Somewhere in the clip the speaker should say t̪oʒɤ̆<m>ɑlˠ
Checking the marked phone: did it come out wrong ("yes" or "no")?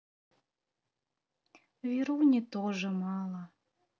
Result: no